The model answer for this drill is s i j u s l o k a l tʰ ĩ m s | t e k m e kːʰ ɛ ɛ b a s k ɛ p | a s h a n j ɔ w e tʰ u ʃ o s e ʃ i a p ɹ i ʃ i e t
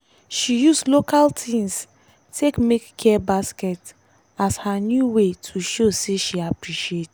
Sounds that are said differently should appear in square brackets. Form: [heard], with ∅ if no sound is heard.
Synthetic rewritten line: [ʃ] i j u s l o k a l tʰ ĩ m s | t e k m e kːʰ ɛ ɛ b a s k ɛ [t] | a s h a n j [u] w e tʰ u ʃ o s e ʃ i a p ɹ i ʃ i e t